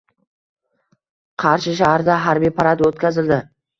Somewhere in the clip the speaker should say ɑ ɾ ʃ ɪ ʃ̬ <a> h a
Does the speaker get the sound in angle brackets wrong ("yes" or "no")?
no